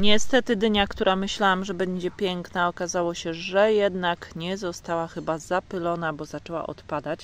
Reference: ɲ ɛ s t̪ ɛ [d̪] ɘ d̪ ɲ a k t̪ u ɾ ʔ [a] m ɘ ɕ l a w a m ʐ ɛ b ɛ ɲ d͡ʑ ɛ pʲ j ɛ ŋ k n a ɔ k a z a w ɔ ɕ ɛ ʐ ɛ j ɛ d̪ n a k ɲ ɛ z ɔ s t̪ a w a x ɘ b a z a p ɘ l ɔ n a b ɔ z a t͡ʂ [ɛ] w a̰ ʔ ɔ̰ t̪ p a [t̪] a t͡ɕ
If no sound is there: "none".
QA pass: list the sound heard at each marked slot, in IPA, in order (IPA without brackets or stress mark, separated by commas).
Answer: t̪, a, ɛ, d̪